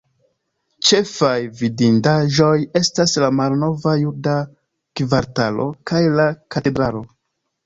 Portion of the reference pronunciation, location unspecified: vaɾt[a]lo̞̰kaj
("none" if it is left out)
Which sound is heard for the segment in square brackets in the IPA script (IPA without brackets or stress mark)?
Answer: a